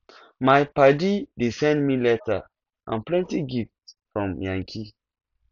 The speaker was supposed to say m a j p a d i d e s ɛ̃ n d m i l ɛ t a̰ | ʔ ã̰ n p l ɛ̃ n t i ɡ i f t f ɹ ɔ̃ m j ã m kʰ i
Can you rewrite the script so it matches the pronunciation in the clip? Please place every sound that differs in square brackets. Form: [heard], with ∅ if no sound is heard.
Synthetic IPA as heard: m a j p a d i d e s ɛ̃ n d m i l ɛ t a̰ | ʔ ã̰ n p l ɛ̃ n t i ɡ i f t f ɹ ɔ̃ m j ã [ŋ] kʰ i